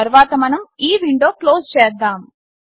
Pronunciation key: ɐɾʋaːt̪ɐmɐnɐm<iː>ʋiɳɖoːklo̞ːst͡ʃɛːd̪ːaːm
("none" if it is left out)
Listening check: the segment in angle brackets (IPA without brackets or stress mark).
iː